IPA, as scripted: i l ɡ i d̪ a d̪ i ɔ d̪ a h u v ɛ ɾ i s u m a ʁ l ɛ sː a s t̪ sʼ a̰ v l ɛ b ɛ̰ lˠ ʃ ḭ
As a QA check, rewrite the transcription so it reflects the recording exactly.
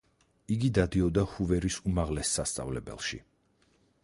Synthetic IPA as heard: i ɡ i d̪ a d̪ i ɔ d̪ a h u v ɛ ɾ i s u m a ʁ l ɛ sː a s t̪ sʼ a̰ v l ɛ b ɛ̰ lˠ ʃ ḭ

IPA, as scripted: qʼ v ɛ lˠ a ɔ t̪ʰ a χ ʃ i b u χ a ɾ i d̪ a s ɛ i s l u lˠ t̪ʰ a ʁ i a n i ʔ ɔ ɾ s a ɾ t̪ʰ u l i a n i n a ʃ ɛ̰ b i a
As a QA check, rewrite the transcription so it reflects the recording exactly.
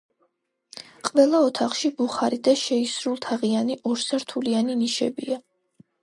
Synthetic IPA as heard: qʼ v ɛ lˠ a ɔ t̪ʰ a χ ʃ i b u χ a ɾ i d̪ a ʃ ɛ i s ɾ u lˠ t̪ʰ a ʁ i a n i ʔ ɔ ɾ s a ɾ t̪ʰ u l i a n i n i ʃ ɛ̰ b i a

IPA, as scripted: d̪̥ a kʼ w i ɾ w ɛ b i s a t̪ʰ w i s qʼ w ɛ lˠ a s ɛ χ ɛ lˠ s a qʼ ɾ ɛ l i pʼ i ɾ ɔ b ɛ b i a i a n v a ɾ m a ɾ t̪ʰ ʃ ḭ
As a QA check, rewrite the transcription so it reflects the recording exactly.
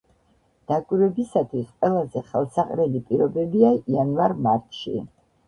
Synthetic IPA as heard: d̪̥ a kʼ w i ɾ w ɛ b i s a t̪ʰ w i s qʼ w ɛ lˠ a z ɛ χ ɛ lˠ s a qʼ ɾ ɛ l i pʼ i ɾ ɔ b ɛ b i a i a n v a ɾ m a ɾ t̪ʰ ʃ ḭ

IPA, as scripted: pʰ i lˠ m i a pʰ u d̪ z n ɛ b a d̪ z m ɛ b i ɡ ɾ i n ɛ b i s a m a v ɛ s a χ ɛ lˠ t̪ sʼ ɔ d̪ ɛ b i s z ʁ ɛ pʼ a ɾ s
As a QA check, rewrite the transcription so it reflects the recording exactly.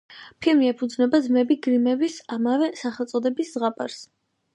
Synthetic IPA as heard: pʰ i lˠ m i ɛ pʰ u d̪ z n ɛ b a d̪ z m ɛ b i ɡ ɾ i m ɛ b i s a m a v ɛ s a χ ɛ lˠ t̪ sʼ ɔ d̪ ɛ b i s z ʁ a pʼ a ɾ s

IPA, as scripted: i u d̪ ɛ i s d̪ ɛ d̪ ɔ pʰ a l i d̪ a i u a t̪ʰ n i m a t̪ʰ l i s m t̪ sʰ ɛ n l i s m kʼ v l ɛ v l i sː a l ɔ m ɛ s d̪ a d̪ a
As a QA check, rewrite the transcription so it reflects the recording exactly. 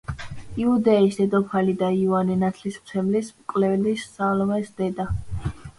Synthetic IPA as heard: i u d̪ ɛ i s d̪ ɛ d̪ ɔ pʰ a l i d̪ a i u a n i n a t̪ʰ l i s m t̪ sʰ ɛ m l i s m kʼ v l ɛ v l i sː a l ɔ m ɛ s d̪ ɛ d̪ a

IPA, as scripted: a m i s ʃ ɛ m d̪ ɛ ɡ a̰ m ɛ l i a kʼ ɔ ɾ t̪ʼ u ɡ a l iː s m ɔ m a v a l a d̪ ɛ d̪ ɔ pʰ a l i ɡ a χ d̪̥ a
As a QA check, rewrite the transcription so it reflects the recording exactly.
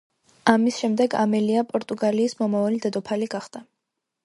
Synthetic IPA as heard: a m i s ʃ ɛ m d̪ ɛ ɡ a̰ m ɛ l i a pʼ ɔ ɾ t̪ʼ u ɡ a l iː s m ɔ m a v a l i d̪ ɛ d̪ ɔ pʰ a l i ɡ a χ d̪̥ a

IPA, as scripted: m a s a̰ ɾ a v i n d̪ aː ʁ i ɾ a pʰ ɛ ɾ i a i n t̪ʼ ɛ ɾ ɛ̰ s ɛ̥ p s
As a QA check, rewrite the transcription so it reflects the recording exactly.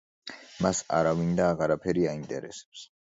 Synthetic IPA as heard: m a s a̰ ɾ a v i n d̪ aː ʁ a ɾ a pʰ ɛ ɾ i a i n t̪ʼ ɛ ɾ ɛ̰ s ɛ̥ p s

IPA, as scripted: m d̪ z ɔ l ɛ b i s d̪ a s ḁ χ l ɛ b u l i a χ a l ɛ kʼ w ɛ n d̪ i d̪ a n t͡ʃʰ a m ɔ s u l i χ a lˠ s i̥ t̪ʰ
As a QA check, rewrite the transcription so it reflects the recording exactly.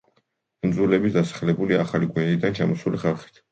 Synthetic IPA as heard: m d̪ z u l ɛ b i s d̪ a s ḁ χ l ɛ b u l i a χ a l i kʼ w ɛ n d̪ i d̪ a n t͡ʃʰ a m ɔ s u l i χ a lˠ χ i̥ t̪ʰ

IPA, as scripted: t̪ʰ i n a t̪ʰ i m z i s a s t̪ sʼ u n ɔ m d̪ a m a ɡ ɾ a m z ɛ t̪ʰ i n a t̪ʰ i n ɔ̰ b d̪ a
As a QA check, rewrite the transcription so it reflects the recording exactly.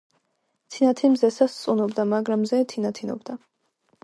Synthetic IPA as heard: t̪ʰ i n a t̪ʰ i m z ɛ s a s t̪ sʼ u n ɔ b d̪ a m a ɡ ɾ a m z ɛ t̪ʰ i n a t̪ʰ i n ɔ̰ b d̪ a

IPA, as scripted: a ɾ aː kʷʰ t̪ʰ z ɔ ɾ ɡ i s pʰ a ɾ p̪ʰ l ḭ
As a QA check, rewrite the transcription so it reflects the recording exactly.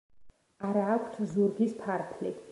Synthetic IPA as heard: a ɾ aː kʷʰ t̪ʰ z u ɾ ɡ i s pʰ a ɾ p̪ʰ l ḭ

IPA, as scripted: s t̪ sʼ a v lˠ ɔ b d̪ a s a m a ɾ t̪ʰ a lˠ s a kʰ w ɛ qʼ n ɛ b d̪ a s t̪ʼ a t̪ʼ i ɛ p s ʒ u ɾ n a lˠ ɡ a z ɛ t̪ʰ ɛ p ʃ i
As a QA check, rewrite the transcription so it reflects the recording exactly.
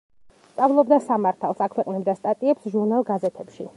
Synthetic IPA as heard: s t̪ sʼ a v lˠ ɔ b d̪ a s a m a ɾ t̪ʰ a lˠ s a kʰ w ɛ qʼ n ɛ b d̪ a s t̪ʼ a t̪ʼ i ɛ p s ʒ u ɾ n a lˠ ɡ a z ɛ t̪ʰ ɛ p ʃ i

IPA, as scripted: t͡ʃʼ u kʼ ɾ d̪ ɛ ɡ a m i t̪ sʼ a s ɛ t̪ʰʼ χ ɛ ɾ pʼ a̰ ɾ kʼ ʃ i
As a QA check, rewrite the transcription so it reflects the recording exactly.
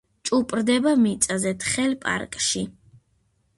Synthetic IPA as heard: t͡ʃʼ u pʼ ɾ d̪ ɛ b a m i t̪ sʼ a z ɛ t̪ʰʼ χ ɛ l pʼ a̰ ɾ kʼ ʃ i

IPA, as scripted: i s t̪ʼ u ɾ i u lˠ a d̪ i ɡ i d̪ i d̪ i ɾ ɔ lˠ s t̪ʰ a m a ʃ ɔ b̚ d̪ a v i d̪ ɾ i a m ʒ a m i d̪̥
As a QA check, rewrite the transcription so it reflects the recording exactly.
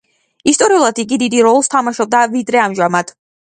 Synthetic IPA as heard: i s t̪ʼ ɔ ɾ i u lˠ a d̪ i ɡ i d̪ i d̪ i ɾ ɔ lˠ s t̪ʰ a m a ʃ ɔ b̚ d̪ a v i d̪ ɾ ɛ a m ʒ a m a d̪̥

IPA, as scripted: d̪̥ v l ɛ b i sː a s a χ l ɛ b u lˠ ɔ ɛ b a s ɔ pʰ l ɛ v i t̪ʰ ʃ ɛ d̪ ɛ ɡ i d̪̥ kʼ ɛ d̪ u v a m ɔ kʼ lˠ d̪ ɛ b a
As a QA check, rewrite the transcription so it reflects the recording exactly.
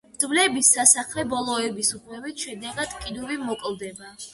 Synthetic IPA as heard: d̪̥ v l ɛ b i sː a s a χ l ɛ b ɔ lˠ ɔ ɛ b i s u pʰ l ɛ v i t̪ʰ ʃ ɛ d̪ ɛ ɡ a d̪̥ kʼ i d̪ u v i m ɔ kʼ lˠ d̪ ɛ b a

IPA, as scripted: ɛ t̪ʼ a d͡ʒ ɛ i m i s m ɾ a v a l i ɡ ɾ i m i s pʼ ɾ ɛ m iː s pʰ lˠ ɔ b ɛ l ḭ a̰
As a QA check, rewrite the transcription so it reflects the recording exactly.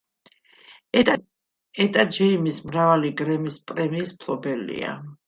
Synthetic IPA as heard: ɛ t̪ʼ a d͡ʒ ɛ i m i s m ɾ a v a l i ɡ ɾ ɛ m i s pʼ ɾ ɛ m iː s pʰ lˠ ɔ b ɛ l ḭ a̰

